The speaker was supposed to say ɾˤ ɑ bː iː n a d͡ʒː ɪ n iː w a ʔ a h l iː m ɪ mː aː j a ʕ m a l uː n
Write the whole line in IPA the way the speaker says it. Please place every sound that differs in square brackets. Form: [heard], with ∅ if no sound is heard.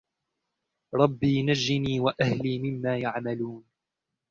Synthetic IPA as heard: ɾˤ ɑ bː iː n a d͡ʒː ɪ n iː w a ʔ a h l iː m ɪ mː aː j a ʕ m a l uː n